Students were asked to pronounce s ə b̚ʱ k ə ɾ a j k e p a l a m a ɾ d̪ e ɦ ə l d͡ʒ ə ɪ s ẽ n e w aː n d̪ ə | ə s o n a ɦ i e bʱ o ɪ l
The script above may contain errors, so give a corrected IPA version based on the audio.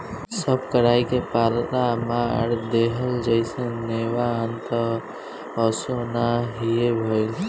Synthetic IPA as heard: s ə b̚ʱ k ə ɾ a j k e p a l a m a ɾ d̪ e ɦ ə l d͡ʒ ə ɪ s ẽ n e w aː n t̪ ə | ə s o n a ɦ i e bʱ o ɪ l